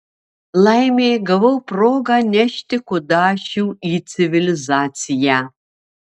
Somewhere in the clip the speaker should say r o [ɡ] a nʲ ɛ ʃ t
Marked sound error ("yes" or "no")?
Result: no